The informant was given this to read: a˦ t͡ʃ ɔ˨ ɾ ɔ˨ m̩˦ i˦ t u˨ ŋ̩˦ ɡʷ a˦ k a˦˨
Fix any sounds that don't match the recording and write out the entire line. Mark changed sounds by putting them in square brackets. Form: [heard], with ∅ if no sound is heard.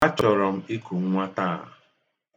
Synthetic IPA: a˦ t͡ʃ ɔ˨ ɾ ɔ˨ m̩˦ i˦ [k] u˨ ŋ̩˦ [ŋʷ] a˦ [t] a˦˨